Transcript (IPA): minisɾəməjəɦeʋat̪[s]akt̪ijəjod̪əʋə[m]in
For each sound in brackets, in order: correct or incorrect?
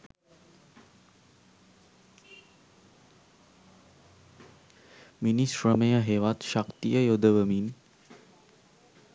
incorrect, correct

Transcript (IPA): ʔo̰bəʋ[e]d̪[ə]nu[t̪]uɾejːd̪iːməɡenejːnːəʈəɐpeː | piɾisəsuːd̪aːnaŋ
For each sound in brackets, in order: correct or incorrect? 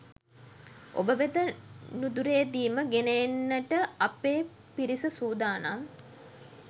correct, correct, incorrect

